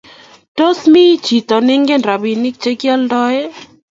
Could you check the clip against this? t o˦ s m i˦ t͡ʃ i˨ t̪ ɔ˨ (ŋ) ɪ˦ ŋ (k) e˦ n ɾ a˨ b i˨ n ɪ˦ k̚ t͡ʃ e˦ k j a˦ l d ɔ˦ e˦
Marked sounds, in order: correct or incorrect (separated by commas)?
incorrect, incorrect